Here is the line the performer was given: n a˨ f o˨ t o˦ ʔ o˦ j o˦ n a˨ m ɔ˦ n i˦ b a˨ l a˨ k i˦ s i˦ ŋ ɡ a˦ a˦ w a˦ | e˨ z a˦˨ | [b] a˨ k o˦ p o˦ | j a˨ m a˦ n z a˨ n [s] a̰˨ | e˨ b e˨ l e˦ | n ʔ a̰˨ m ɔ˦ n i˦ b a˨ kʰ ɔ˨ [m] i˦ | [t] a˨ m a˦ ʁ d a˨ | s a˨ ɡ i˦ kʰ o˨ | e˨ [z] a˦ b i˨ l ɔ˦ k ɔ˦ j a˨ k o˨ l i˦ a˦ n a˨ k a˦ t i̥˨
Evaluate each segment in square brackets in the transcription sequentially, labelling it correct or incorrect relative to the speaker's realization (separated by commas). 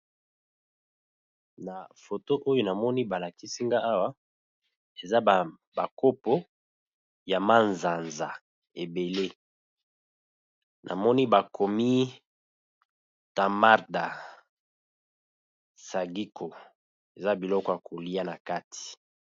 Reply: correct, incorrect, correct, correct, correct